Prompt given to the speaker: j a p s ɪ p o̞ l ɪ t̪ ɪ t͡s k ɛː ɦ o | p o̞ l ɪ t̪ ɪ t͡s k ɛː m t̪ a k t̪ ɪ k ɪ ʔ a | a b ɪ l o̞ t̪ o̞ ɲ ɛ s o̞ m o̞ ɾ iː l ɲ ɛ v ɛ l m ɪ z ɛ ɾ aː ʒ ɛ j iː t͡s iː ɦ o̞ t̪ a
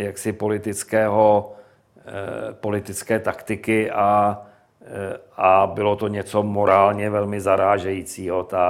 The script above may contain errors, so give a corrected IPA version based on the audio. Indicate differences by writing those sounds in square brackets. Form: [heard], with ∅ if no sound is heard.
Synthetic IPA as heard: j a [k] s ɪ p o̞ l ɪ t̪ ɪ t͡s k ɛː ɦ o | p o̞ l ɪ t̪ ɪ t͡s k ɛː [∅] t̪ a k t̪ ɪ k ɪ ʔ a | a b ɪ l o̞ t̪ o̞ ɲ ɛ [t͡s] o̞ m o̞ ɾ [aː] l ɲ ɛ v ɛ l m ɪ z [a] ɾ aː ʒ ɛ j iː t͡s iː ɦ o̞ t̪ a